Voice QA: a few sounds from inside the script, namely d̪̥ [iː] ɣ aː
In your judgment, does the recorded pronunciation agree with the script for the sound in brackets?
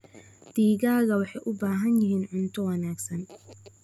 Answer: yes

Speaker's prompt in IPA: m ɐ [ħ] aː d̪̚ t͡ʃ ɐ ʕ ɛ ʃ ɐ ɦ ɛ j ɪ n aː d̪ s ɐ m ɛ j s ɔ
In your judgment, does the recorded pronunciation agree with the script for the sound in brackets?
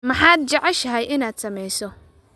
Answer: yes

